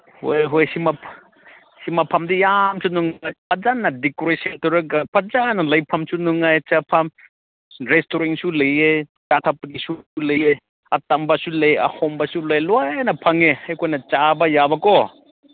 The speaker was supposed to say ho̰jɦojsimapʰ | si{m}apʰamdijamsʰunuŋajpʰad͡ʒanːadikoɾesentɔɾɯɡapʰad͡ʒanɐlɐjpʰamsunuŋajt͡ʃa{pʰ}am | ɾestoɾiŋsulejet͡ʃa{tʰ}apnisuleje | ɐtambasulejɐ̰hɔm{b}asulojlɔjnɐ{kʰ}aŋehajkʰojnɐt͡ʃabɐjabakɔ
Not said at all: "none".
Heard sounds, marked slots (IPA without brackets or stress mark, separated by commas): m, pʰ, tʰ, b, pʰ